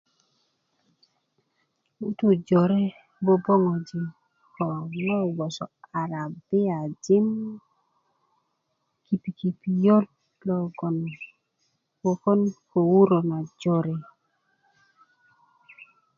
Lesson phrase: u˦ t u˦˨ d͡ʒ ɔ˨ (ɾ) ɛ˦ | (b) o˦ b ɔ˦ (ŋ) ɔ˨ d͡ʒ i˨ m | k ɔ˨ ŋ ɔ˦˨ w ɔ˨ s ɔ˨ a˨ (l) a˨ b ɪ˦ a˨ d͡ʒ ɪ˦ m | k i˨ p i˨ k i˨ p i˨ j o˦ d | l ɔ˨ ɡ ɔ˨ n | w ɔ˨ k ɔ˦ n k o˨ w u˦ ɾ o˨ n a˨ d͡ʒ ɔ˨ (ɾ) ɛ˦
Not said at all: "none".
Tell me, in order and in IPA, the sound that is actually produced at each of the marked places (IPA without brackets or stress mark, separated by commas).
ɾ, b, ŋ, ɾ, ɾ